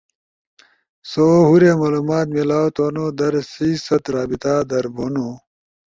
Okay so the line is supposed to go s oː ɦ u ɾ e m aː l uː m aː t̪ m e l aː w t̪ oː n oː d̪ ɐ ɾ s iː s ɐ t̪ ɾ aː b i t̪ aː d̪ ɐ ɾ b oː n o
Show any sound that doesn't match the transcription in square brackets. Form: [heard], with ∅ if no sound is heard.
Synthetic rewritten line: s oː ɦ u ɾ e m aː l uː m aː t̪ m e l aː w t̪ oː n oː d̪ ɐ ɾ s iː s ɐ t̪ ɾ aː b i t̪ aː d̪ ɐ ɾ b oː n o